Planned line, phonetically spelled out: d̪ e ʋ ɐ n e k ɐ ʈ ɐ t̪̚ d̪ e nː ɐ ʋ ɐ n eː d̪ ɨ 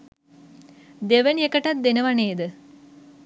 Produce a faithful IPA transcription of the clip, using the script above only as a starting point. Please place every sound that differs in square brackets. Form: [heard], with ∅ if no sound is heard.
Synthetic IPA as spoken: d̪ e ʋ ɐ n e k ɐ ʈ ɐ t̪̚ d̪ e [n] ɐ ʋ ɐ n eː d̪ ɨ